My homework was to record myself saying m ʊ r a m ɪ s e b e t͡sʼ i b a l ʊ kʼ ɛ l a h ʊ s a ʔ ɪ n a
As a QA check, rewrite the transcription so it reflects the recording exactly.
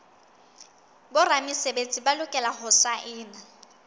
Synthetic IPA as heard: b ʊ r a m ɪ s e b e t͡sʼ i b a l ʊ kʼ ɛ l a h ʊ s a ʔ ɪː n a